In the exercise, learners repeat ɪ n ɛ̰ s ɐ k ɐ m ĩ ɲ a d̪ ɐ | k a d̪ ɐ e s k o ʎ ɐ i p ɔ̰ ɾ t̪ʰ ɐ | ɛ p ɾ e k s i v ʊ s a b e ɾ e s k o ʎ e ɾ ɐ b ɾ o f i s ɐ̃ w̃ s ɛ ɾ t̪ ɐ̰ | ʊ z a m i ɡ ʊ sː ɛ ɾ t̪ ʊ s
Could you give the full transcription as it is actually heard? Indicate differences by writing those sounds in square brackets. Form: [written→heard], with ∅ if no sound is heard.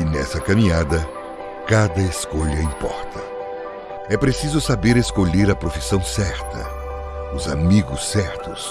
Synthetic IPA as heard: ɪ n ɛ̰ s ɐ k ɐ m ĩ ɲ a d̪ ɐ | k a d̪ ɐ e s k o ʎ ɐ [i→ĩ] p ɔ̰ ɾ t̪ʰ ɐ | ɛ p ɾ e [k→∅] s i [v→z] ʊ s a b e ɾ e s k o ʎ e ɾ ɐ [b→p] ɾ o f i s ɐ̃ w̃ s ɛ ɾ t̪ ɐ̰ | ʊ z a m i ɡ ʊ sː ɛ ɾ t̪ ʊ s